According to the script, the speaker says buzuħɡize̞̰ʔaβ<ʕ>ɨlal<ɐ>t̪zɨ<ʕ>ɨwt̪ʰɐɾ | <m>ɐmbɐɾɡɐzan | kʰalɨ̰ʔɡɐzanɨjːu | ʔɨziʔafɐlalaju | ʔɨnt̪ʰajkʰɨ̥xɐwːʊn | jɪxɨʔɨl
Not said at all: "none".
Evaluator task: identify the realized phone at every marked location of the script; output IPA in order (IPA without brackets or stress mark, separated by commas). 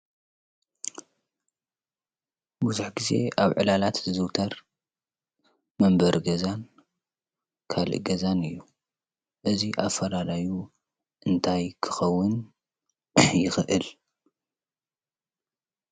ʕ, a, z, m